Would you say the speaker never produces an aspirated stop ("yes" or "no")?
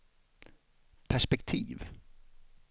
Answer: no